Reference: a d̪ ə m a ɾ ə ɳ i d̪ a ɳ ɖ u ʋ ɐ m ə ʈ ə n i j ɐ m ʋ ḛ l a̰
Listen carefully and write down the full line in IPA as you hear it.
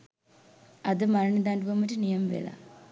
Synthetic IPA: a d̪ ə m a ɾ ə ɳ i d̪ a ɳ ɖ u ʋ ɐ m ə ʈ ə n i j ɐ m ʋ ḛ l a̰